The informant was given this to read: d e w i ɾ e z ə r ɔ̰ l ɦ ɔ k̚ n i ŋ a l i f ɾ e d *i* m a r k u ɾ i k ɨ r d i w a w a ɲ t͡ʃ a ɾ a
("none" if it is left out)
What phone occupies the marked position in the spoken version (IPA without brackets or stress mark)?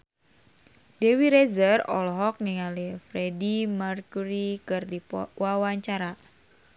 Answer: i